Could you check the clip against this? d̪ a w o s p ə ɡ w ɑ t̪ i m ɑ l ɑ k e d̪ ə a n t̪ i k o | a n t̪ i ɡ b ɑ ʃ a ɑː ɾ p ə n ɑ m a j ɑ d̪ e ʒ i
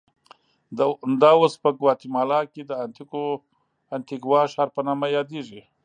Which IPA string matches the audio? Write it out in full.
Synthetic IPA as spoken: d̪ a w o s p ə ɡ w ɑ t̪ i m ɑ l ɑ k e d̪ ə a n t̪ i k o | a n t̪ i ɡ w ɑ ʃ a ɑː ɾ p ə n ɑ m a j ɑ d̪ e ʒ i